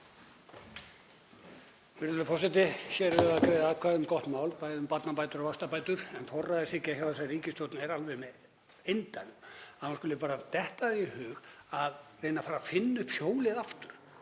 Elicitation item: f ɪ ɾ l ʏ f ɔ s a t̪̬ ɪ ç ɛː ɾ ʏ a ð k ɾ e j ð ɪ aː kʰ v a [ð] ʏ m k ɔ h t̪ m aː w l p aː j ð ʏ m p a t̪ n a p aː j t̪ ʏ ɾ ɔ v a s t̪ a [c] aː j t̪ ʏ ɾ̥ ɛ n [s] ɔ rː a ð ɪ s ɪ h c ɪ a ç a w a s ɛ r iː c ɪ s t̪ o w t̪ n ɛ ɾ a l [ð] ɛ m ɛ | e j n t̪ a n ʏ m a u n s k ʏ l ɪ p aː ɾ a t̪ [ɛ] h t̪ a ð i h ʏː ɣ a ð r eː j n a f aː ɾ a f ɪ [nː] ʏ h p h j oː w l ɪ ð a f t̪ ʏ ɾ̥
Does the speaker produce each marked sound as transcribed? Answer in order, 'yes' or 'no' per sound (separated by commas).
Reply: yes, no, no, no, yes, yes